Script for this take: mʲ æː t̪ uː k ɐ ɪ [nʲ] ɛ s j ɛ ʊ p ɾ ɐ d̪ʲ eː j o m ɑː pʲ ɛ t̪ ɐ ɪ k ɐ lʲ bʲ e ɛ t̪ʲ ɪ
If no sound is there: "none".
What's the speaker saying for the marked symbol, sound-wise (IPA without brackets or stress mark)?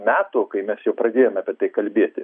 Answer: mʲ